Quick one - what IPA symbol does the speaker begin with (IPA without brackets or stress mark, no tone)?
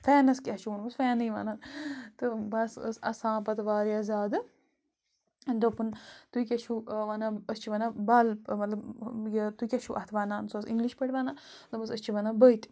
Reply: f